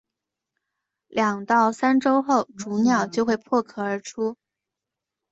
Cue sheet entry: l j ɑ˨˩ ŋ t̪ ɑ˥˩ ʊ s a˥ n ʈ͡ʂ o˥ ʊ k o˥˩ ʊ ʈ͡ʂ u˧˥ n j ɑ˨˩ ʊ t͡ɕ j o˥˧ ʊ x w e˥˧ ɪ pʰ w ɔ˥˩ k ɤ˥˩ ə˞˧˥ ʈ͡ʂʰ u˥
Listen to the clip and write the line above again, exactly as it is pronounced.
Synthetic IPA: l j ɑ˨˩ ŋ t̪ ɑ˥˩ ʊ s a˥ n ʈ͡ʂ o˥ ʊ x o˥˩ ʊ ʈ͡ʂ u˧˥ n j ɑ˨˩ ʊ t͡ɕ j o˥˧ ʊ x w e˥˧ ɪ pʰ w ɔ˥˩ kʰ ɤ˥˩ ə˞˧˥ ʈ͡ʂʰ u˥